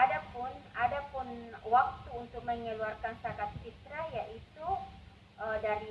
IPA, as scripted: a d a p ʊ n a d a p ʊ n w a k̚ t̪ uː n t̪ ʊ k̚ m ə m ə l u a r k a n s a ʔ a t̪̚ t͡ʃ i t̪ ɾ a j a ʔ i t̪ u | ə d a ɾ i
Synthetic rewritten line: a d a p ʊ n a d a p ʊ n w a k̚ t̪ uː n t̪ ʊ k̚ m ə ɲ ə l u a r k a n s a k a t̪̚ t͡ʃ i t̪ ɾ a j a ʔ i t̪ u | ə d a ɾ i

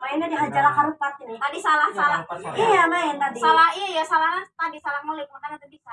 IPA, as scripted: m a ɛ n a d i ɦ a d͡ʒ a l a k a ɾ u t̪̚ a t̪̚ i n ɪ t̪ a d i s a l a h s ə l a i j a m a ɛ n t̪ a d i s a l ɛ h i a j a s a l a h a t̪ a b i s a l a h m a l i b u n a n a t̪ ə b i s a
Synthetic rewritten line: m a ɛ n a d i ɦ a d͡ʒ a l a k a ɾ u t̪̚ a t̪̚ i n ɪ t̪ a d i s a l a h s a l a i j a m a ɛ n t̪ a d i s a l a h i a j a s a l a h a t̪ a d i s a l a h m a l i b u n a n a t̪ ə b i s a

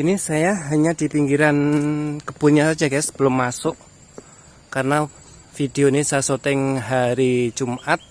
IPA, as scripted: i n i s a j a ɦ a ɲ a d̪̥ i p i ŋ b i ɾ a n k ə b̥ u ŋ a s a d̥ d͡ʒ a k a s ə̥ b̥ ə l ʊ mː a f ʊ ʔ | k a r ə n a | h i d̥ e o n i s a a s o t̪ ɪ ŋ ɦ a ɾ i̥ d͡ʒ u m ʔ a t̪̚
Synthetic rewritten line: i n i s a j a ɦ a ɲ a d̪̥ i p i ŋ ɡ i ɾ a n k ə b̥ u ɲ a s a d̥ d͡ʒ a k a s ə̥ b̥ ə l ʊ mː a s ʊ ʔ | k a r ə n a | f i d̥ e o n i s a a s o t̪ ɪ ŋ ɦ a ɾ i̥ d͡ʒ u m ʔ a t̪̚

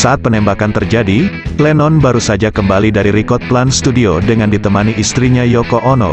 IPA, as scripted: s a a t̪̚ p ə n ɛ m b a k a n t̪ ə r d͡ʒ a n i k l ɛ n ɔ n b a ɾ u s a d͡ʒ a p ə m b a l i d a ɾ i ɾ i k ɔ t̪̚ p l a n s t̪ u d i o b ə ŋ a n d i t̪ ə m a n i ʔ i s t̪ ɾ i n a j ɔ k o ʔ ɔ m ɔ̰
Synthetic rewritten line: s a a t̪̚ p ə n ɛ m b a k a n t̪ ə r d͡ʒ a d i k l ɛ n ɔ n b a ɾ u s a d͡ʒ a k ə m b a l i d a ɾ i ɾ i k ɔ t̪̚ p l a n s t̪ u d i o d ə ŋ a n d i t̪ ə m a n i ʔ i s t̪ ɾ i ɲ a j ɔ k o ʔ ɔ n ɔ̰

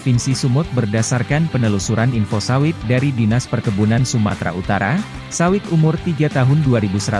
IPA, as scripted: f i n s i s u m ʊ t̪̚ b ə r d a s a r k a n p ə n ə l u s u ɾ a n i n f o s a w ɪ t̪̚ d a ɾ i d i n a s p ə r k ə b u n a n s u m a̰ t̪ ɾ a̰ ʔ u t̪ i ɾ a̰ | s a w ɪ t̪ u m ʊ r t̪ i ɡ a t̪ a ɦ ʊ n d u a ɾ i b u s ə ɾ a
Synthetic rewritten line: f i n s i s u m ʊ t̪̚ b ə r d a s a r k a n p ə n ə l u s u ɾ a n i n f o s a w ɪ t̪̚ d a ɾ i d i n a s p ə r k ə b u n a n s u m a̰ t̪ ɾ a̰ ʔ u t̪ a ɾ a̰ | s a w ɪ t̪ u m ʊ r t̪ i ɡ a t̪ a ɦ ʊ n d u a ɾ i b u s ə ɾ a

